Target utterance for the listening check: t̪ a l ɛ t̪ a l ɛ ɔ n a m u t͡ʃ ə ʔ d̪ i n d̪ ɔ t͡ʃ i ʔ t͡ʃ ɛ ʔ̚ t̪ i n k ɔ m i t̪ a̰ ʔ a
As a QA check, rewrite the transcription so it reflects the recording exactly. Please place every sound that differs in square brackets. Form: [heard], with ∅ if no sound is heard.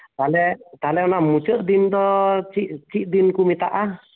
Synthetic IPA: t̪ a l ɛ t̪ a l ɛ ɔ n a m u t͡ʃ ə ʔ d̪ i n d̪ ɔ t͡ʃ i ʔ t͡ʃ [i] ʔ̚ [d̪] i n k [u] m i t̪ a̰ ʔ a